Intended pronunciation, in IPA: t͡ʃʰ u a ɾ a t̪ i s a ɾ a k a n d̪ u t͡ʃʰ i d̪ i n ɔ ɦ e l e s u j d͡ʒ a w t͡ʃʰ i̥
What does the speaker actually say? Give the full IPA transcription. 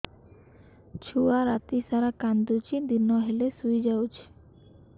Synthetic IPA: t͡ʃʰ u a ɾ a t̪ i s a ɾ a k a n d̪ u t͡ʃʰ i d̪ i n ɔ ɦ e l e s u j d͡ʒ a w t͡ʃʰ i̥